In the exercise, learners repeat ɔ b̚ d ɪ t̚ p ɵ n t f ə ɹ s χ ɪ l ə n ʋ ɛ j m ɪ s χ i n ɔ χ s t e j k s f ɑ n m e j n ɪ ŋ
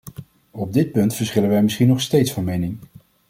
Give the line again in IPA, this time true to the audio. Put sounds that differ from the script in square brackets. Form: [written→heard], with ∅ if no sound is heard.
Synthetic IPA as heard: ɔ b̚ d ɪ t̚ p ɵ n t f ə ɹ s χ ɪ l ə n ʋ ɛ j m ɪ s χ i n ɔ χ s t e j [k→t] s f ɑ n m e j n ɪ ŋ